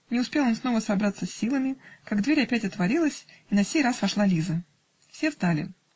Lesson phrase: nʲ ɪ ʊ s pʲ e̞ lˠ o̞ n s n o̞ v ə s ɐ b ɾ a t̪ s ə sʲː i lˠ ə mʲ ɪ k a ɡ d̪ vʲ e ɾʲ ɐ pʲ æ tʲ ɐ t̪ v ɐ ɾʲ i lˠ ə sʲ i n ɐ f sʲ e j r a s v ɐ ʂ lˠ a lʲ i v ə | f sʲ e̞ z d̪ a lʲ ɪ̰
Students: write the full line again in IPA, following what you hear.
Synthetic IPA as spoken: nʲ ɪ ʊ s pʲ e̞ lˠ o̞ n s n o̞ v ə s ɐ b ɾ a t̪ s ə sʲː i lˠ ə mʲ ɪ k a ɡ d̪ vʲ e ɾʲ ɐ pʲ æ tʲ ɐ t̪ v ɐ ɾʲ i lˠ ə sʲ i n ɐ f sʲ e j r a s v ɐ ʂ lˠ a lʲ i z ə | f sʲ e̞ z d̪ a lʲ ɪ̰